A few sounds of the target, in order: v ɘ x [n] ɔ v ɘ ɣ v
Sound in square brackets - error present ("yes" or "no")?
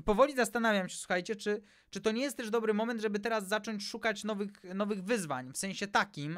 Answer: no